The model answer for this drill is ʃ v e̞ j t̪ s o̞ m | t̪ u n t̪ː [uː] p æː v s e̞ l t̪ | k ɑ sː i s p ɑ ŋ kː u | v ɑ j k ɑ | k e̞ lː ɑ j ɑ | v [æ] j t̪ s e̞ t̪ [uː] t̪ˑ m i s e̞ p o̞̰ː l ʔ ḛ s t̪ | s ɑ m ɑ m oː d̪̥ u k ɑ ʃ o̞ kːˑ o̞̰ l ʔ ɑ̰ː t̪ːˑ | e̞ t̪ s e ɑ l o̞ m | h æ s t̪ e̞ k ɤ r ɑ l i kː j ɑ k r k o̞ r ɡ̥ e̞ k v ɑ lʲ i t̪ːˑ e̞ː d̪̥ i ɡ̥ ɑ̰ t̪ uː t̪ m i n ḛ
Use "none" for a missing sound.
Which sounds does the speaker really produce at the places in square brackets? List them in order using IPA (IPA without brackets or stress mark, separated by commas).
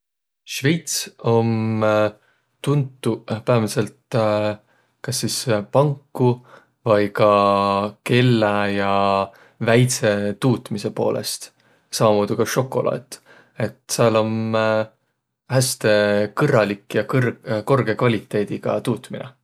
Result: u, æ, uː